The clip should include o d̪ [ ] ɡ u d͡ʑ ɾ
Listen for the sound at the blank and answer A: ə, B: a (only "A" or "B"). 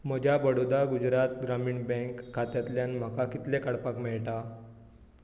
B